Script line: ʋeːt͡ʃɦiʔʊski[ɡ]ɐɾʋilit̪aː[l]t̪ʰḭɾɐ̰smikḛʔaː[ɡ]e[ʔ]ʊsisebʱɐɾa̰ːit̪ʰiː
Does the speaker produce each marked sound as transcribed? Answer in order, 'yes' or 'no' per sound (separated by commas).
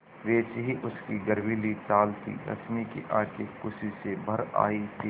yes, yes, no, no